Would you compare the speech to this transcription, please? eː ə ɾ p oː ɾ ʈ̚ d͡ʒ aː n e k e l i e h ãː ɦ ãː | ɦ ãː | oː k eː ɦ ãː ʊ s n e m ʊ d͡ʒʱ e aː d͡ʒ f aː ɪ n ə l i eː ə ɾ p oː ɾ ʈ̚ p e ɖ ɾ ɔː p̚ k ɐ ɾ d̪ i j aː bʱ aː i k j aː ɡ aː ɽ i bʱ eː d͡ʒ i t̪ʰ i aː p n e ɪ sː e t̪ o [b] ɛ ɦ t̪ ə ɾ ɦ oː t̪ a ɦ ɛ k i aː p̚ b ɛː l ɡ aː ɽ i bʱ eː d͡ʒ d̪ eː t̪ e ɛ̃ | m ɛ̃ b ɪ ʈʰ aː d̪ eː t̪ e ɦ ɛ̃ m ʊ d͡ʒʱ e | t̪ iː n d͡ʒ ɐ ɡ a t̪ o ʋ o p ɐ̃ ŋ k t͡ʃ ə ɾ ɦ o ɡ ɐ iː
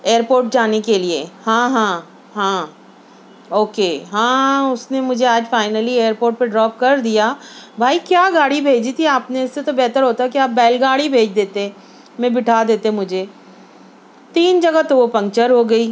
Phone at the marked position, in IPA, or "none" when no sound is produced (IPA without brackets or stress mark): b